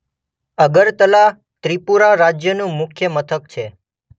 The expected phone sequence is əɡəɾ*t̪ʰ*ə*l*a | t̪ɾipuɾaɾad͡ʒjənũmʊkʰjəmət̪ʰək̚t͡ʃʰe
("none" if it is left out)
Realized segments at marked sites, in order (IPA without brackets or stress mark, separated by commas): t̪, l